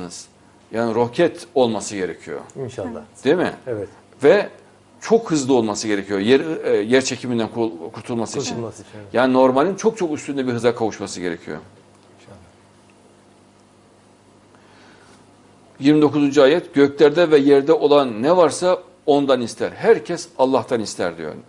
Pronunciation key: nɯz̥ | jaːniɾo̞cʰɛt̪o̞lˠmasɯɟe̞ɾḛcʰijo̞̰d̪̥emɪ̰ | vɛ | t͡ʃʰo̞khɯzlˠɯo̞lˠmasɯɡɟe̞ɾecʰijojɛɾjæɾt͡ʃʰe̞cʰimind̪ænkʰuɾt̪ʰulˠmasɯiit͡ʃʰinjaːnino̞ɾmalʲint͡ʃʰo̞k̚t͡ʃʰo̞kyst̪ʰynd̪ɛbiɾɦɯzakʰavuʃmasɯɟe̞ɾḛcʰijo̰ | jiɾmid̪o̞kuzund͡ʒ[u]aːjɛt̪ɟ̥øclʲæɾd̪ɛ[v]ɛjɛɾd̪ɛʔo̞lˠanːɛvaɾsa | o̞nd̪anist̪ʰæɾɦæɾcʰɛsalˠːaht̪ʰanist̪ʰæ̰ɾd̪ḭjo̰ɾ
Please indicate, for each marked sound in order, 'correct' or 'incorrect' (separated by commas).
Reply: correct, correct